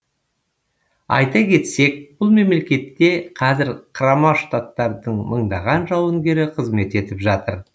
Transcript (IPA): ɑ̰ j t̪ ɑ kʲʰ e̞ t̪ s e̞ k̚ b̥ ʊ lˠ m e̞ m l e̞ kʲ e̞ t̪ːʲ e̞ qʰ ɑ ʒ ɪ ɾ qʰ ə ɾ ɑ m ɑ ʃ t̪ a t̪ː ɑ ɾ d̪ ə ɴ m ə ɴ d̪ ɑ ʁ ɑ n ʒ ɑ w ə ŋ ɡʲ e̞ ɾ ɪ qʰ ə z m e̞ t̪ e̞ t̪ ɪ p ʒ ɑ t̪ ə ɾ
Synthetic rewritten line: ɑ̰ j t̪ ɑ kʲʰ e̞ t̪ s e̞ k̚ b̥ ʊ lˠ m e̞ m l e̞ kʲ e̞ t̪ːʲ e̞ qʰ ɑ z ɪ ɾ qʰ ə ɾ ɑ m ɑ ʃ t̪ a t̪ː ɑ ɾ d̪ ə ɴ m ə ɴ d̪ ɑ ʁ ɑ n ʒ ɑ w ə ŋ ɡʲ e̞ ɾ ɪ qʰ ə z m e̞ t̪ e̞ t̪ ɪ p ʒ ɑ t̪ ə ɾ